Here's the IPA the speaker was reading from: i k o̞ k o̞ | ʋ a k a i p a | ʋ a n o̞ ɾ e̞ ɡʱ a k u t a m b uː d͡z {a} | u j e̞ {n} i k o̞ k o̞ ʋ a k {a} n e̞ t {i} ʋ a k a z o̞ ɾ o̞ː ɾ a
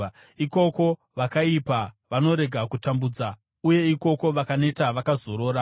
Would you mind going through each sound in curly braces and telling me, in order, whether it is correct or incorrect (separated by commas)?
correct, incorrect, correct, incorrect